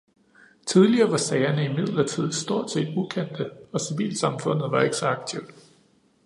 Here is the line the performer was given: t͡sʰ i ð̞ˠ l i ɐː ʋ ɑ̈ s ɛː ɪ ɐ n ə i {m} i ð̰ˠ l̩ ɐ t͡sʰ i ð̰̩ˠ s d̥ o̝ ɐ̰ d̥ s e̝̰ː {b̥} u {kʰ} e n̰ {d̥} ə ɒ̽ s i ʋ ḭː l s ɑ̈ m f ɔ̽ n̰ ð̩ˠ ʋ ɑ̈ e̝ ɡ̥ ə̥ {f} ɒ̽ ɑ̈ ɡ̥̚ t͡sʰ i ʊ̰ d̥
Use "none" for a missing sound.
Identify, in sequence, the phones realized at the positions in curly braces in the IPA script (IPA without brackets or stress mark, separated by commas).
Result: m, d̥, kʰ, d̥, s